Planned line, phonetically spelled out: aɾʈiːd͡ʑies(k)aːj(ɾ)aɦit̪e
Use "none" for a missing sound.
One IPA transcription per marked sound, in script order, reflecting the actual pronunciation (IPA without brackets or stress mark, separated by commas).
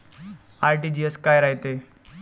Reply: k, ɾ